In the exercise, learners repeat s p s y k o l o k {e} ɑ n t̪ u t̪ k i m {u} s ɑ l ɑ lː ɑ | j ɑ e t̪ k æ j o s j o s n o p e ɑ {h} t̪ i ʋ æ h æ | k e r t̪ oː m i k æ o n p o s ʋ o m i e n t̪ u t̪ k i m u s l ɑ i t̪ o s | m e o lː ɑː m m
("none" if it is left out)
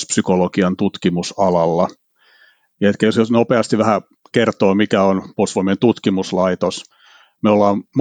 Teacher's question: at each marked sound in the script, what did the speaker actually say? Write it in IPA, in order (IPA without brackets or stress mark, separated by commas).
i, u, s